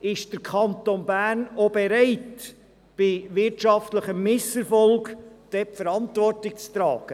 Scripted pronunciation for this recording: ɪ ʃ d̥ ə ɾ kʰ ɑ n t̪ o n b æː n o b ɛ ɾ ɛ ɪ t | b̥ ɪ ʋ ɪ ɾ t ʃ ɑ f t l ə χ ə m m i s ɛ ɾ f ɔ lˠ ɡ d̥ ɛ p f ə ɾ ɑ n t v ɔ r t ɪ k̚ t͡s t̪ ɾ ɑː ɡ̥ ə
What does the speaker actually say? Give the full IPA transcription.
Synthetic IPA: ɪ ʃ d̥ ə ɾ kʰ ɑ n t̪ o n b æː n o b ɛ ɾ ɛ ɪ t | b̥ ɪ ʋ ɪ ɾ t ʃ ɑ f t l ə χ ə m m ɪ s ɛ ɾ f ɔ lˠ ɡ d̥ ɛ p f ə ɾ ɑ n t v ɔ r t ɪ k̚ t͡s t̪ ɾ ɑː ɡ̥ ə